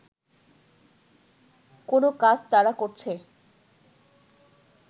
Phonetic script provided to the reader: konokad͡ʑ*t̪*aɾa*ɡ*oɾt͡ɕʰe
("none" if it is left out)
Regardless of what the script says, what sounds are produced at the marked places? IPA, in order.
t̪, k

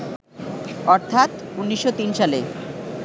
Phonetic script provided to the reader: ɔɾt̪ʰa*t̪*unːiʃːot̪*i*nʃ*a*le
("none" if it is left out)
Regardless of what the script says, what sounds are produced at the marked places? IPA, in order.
t̪, i, a

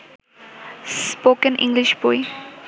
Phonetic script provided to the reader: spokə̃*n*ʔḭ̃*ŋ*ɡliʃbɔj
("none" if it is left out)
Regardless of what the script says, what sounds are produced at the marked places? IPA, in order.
n, ŋ

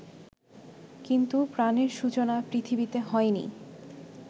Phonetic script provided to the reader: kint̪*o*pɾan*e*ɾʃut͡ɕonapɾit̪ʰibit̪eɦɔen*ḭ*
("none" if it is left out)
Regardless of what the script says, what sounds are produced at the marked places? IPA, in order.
u, e, ḭ

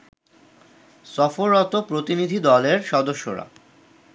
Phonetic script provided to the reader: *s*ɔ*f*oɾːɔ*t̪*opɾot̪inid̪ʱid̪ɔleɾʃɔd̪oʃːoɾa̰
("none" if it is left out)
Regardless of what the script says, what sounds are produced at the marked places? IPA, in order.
s, f, t̪

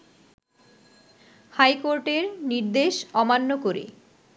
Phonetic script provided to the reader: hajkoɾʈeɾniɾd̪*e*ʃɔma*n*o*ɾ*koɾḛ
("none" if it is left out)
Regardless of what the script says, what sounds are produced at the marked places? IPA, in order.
e, nː, none

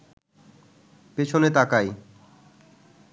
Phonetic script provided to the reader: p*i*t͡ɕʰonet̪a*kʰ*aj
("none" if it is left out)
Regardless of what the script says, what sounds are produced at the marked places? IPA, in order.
e, k

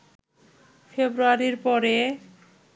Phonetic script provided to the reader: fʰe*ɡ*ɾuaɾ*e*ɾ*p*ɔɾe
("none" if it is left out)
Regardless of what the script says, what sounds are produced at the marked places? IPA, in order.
b, i, p

